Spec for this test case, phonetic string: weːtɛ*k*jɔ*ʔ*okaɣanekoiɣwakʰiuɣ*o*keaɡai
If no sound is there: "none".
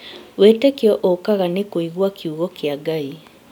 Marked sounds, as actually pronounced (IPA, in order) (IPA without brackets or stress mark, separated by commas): k, ʔ, ɔ